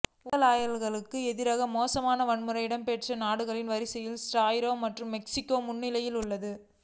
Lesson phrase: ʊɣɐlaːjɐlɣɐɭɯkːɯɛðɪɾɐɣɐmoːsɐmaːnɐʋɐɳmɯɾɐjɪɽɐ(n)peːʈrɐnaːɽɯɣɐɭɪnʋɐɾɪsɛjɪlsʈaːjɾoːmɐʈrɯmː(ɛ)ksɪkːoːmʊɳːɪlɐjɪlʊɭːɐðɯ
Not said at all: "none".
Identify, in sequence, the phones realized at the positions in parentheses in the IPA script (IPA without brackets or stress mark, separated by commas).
m, ɛ